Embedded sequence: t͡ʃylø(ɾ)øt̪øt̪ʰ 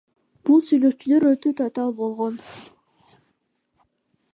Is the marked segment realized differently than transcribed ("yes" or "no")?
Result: no